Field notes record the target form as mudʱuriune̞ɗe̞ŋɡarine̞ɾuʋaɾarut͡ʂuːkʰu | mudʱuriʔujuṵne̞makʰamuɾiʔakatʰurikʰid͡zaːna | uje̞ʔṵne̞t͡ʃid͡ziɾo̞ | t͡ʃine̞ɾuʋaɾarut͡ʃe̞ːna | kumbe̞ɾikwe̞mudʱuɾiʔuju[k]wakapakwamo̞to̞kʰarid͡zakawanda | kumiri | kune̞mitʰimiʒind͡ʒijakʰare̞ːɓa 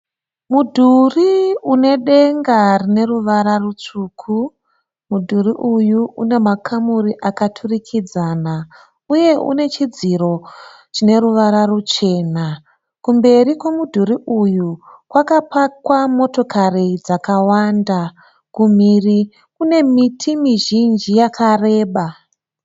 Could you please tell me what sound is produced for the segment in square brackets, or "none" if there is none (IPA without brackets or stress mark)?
k